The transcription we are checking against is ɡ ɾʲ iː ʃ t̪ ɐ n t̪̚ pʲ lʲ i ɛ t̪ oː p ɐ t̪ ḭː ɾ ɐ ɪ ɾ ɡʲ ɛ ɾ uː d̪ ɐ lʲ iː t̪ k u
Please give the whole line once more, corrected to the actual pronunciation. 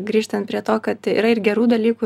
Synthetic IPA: ɡ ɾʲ iː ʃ t̪ ɐ n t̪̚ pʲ ɾʲ i ɛ t̪ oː k ɐ t̪ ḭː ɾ ɐ ɪ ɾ ɡʲ ɛ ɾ uː d̪ ɐ lʲ iː k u